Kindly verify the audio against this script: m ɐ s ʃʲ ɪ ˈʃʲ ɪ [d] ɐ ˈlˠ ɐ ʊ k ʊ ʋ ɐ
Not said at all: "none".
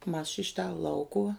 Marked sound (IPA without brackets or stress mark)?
t